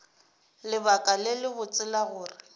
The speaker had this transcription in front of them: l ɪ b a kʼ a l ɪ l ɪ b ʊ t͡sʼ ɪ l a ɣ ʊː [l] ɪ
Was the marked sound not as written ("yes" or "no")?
yes